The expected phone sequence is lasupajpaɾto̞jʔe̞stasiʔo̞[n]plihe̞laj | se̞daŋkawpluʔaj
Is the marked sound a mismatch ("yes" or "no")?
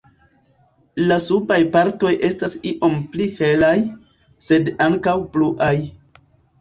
yes